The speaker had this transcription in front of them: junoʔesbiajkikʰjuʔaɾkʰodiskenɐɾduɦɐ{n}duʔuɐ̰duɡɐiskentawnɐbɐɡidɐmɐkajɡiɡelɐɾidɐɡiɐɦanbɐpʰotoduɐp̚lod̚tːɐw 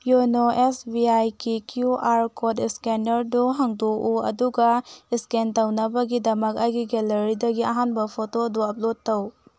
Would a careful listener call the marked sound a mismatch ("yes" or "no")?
yes